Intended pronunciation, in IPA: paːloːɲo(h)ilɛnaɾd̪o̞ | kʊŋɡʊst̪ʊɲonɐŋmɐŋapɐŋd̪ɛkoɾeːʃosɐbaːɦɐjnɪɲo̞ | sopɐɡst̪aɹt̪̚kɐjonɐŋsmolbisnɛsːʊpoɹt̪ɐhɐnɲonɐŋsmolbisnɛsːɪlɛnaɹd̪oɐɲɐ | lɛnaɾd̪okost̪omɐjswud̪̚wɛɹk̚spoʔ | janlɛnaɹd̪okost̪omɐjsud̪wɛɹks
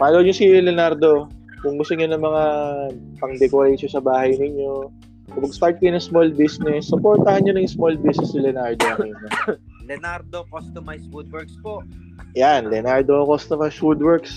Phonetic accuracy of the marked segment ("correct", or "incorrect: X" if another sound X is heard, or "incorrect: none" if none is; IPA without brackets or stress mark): incorrect: s